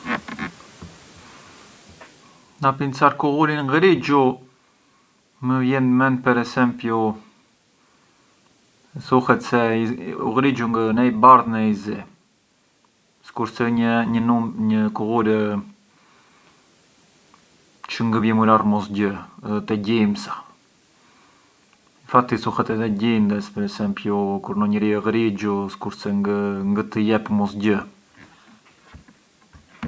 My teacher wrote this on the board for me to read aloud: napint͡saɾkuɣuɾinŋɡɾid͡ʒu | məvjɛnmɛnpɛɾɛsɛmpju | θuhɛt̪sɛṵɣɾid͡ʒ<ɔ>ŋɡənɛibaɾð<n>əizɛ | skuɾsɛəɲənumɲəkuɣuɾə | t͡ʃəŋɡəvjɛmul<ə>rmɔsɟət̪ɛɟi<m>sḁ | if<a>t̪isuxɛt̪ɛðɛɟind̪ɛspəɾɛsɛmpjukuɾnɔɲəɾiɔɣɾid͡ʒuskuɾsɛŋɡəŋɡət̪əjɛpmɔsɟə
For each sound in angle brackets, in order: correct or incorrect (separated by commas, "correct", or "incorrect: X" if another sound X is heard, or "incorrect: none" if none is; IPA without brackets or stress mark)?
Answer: incorrect: u, correct, incorrect: a, correct, correct